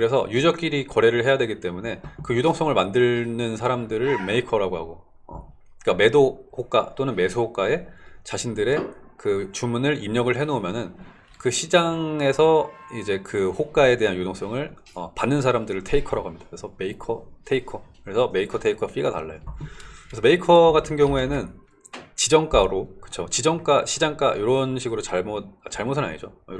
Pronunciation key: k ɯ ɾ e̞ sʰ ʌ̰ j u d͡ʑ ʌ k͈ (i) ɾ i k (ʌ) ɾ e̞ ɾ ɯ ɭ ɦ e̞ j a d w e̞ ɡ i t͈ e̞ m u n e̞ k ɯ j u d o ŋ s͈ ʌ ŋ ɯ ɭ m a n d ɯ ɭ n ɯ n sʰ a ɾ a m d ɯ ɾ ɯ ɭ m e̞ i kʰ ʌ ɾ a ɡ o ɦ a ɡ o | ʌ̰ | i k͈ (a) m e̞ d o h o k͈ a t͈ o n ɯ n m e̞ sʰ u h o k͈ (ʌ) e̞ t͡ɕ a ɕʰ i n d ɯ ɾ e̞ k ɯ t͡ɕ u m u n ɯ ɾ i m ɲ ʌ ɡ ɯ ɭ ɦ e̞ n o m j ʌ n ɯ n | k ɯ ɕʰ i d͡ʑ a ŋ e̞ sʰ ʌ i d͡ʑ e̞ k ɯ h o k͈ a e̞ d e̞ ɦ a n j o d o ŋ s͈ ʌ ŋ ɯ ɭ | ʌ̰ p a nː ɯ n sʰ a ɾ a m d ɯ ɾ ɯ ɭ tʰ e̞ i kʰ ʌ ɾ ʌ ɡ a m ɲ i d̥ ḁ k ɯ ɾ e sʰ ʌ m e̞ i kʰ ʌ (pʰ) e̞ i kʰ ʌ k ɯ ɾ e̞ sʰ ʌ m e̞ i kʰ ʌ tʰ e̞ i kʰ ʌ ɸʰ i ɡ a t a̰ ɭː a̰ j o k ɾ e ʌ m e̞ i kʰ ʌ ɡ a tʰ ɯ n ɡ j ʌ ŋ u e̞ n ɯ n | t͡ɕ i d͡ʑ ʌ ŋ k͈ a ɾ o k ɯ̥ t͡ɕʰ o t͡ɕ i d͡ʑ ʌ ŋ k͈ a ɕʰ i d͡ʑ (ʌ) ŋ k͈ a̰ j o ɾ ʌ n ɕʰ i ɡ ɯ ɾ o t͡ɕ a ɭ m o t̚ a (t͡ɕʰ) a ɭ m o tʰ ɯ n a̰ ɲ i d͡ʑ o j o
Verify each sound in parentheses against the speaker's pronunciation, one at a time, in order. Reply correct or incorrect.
correct, correct, correct, incorrect, incorrect, incorrect, incorrect

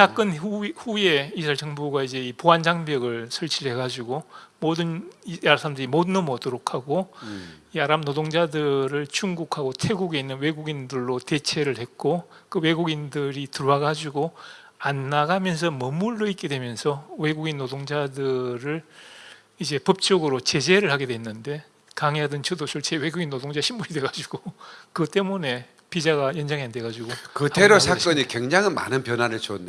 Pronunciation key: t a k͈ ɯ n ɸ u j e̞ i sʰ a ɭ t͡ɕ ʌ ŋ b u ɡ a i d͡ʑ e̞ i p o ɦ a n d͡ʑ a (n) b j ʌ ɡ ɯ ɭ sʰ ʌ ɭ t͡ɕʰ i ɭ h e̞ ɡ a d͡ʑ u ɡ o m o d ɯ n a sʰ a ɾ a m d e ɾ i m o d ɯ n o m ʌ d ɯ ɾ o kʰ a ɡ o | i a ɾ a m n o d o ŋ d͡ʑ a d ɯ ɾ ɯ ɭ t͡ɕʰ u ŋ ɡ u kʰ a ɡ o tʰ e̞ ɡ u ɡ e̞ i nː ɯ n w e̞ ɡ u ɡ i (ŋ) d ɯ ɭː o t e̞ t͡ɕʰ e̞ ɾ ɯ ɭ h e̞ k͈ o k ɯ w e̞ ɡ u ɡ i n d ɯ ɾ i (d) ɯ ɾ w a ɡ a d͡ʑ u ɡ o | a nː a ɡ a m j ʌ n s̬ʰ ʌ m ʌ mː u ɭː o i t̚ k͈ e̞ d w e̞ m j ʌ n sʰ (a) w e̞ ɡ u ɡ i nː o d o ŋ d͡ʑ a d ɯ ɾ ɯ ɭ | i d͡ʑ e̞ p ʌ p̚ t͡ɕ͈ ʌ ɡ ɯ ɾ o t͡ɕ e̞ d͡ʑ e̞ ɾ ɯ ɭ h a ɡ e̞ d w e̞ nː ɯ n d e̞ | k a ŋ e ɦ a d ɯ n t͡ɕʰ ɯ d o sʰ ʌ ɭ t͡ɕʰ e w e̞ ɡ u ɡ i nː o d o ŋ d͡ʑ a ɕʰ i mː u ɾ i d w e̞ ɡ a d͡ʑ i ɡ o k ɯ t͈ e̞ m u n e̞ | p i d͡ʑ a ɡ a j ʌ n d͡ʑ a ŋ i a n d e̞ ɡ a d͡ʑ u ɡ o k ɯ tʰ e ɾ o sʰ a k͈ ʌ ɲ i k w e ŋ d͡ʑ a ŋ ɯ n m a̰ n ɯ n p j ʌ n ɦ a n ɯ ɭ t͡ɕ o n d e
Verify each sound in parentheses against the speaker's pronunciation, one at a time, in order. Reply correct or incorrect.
incorrect, incorrect, incorrect, incorrect

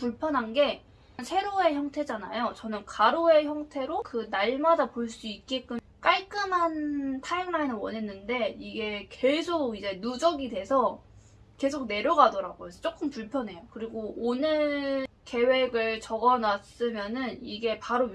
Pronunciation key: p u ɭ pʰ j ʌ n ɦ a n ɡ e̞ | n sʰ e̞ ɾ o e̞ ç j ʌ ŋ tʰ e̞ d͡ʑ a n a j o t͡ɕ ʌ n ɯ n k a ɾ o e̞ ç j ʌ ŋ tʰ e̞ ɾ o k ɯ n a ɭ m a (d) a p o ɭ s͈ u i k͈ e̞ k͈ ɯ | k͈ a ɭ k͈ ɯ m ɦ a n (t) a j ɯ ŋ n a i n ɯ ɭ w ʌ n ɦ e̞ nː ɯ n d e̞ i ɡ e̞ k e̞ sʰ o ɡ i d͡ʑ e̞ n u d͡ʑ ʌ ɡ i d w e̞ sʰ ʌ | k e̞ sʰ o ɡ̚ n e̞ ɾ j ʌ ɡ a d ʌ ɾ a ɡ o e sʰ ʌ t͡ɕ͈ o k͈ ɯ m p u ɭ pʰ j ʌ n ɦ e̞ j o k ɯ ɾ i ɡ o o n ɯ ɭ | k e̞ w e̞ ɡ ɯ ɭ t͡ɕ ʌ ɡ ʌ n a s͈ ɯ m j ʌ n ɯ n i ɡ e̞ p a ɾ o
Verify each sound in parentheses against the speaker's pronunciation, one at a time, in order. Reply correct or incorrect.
correct, incorrect

